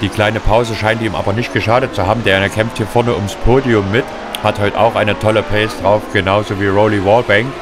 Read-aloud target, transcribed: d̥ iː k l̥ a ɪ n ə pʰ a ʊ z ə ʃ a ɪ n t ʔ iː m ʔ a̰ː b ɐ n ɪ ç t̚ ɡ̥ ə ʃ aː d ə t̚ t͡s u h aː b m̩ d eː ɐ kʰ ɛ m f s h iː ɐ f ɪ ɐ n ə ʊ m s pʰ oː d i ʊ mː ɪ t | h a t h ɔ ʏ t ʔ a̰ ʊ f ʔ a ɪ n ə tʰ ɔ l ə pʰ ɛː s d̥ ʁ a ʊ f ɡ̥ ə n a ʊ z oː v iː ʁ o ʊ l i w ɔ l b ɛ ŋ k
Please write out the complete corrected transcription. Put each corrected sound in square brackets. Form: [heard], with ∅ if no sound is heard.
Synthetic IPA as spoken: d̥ iː k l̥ a ɪ n ə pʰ a ʊ z ə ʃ a ɪ n t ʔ iː m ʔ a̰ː b ɐ n ɪ ç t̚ ɡ̥ ə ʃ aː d ə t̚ t͡s u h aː b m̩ d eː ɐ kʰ ɛ m f [t] h iː ɐ f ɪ ɐ n ə ʊ m s pʰ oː d i ʊ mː ɪ t | h a t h ɔ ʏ t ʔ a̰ ʊ [x] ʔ a ɪ n ə tʰ ɔ l ə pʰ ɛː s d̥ ʁ a ʊ f ɡ̥ ə n a ʊ z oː v iː ʁ o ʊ l i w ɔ l b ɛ ŋ k